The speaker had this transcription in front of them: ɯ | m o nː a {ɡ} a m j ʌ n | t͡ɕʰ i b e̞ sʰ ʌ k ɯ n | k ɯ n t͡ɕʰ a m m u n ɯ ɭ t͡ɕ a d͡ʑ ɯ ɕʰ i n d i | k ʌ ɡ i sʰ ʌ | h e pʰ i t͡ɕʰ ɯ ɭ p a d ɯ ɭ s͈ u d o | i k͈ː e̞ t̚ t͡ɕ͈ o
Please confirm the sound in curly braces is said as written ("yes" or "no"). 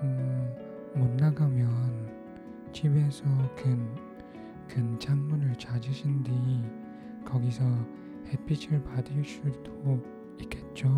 yes